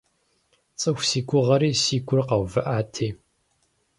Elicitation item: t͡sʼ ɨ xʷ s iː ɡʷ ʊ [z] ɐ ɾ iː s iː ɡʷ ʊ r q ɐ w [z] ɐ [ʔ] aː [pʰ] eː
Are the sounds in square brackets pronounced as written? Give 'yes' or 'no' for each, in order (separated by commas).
no, no, yes, no